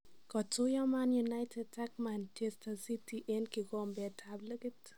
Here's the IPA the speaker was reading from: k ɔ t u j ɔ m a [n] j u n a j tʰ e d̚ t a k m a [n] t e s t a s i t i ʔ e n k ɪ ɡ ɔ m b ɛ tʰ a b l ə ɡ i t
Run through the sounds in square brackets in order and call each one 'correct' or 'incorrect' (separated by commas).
correct, correct